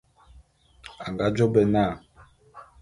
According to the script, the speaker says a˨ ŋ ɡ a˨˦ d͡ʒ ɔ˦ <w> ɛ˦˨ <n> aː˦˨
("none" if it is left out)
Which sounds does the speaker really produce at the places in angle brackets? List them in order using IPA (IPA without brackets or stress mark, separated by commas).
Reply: b, n